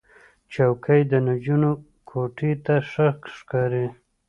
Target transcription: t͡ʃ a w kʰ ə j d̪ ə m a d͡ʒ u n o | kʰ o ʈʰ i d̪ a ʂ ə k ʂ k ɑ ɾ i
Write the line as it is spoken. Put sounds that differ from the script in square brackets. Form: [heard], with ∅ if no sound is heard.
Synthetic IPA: t͡ʃ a w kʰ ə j d̪ ə [n] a d͡ʒ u n o | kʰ o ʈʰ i [t̪] a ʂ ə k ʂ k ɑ ɾ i